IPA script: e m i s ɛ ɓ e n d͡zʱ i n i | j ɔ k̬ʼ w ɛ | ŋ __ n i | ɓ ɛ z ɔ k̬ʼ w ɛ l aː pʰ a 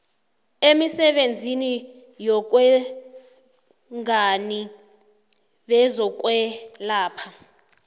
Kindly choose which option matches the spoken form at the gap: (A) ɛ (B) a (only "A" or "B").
B